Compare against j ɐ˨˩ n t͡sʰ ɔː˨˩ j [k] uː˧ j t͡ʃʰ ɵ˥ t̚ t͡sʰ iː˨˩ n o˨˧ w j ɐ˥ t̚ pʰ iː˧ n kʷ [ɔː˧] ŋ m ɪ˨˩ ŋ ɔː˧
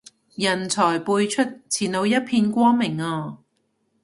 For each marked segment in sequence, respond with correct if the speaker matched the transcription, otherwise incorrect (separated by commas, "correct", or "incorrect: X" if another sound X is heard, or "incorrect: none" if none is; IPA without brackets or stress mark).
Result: incorrect: p, incorrect: ɔː˥